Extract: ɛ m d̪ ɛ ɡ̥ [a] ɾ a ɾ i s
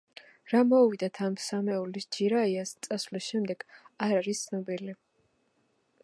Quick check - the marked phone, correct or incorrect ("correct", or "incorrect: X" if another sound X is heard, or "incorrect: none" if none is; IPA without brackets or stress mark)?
correct